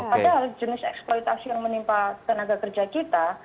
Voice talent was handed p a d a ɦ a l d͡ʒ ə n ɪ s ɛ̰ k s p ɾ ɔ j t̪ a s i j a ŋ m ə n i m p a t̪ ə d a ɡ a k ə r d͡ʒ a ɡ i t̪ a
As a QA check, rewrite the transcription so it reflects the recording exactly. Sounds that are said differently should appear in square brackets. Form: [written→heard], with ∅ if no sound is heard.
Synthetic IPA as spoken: p a d a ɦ a l d͡ʒ ə n ɪ s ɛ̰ k s p [ɾ→l] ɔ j t̪ a s i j a ŋ m ə n i m p a t̪ ə [d→n] a ɡ a k ə r d͡ʒ a [ɡ→k] i t̪ a